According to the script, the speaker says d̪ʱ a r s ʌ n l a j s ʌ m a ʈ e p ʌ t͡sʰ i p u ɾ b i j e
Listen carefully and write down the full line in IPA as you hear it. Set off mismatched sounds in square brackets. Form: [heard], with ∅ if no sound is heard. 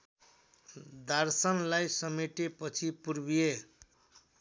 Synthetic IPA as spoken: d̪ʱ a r s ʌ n l a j s ʌ m [e] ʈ e p ʌ t͡sʰ i p u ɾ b i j e